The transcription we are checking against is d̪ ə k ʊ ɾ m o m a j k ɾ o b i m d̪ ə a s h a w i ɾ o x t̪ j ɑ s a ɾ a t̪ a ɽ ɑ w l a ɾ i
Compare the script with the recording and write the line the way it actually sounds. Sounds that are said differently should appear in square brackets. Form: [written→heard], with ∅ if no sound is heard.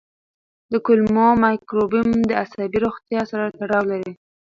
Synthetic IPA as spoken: d̪ ə k ʊ [ɾ→l] m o m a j k ɾ o b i m d̪ ə a s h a [w→b] i ɾ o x t̪ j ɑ s a ɾ a t̪ a ɽ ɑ w l a ɾ i